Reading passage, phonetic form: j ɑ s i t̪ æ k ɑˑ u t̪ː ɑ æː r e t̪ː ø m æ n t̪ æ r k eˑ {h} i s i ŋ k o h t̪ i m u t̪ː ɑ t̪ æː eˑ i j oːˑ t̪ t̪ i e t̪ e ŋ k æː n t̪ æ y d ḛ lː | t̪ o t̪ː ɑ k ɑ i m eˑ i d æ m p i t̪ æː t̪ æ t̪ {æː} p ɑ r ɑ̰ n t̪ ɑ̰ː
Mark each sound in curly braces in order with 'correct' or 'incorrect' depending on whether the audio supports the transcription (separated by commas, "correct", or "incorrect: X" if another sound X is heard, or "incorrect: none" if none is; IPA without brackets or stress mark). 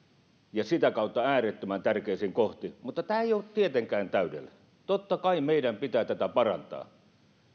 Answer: incorrect: none, incorrect: æ